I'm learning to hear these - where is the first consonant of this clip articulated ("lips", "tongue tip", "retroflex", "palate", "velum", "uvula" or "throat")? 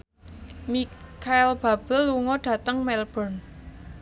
lips